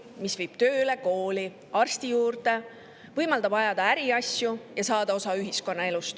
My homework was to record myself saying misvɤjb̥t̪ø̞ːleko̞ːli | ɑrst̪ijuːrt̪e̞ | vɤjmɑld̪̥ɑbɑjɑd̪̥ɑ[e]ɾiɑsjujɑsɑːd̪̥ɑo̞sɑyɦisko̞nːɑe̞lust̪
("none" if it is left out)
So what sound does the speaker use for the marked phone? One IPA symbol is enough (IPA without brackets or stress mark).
æ